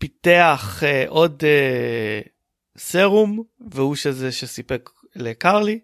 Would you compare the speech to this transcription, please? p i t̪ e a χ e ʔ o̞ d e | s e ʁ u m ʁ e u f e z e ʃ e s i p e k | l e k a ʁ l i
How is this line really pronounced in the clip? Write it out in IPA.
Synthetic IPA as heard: p i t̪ e a χ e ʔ o̞ d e | s e ʁ u m v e u ʃ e z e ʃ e s i p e k | l e k a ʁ l i